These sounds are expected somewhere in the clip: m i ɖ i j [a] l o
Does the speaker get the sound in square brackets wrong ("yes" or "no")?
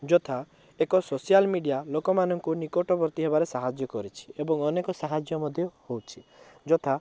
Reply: no